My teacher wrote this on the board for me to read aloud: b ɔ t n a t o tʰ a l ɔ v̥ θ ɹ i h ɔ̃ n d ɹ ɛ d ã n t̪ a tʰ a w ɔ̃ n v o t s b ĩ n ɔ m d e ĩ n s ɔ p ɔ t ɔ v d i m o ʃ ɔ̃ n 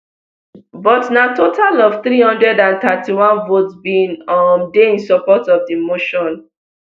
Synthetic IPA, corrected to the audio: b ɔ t n a t o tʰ a l ɔ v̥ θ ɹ i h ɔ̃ n d ɹ ɛ d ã n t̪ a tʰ i w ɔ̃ n v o t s b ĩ n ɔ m d e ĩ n s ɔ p ɔ t ɔ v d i m o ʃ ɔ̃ n